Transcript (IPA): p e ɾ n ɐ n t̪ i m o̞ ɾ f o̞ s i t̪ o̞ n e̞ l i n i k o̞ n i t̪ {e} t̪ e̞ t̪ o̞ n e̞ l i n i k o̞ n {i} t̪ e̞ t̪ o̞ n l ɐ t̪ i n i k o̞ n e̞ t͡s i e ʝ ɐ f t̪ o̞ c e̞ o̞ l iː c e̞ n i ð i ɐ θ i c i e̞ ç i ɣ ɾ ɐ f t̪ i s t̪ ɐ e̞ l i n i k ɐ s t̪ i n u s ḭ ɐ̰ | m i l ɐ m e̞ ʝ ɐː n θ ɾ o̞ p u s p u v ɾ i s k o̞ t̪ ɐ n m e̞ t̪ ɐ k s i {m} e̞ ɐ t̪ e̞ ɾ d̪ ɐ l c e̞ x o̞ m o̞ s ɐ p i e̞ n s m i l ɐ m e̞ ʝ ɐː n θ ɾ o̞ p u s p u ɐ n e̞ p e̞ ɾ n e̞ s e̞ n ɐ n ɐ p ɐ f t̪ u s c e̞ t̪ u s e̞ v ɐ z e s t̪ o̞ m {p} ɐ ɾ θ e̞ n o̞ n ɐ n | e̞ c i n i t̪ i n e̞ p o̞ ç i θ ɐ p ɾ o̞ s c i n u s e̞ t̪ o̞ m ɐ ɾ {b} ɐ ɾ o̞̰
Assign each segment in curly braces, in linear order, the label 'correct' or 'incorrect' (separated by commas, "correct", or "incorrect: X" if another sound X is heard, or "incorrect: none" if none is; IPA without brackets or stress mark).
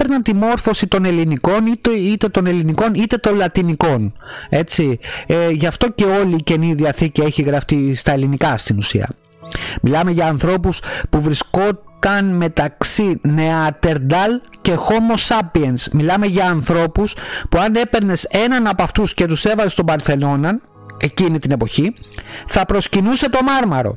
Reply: incorrect: i, correct, incorrect: n, incorrect: b, incorrect: m